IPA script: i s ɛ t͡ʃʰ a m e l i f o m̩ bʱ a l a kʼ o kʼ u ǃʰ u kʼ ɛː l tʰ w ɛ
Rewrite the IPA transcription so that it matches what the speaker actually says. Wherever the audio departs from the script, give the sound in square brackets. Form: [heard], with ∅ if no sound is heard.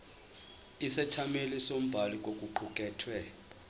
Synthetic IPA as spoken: i s ɛ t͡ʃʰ a m e l i [s] o m̩ bʱ a l [i] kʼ o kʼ u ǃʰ u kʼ ɛː [∅] tʰ w ɛ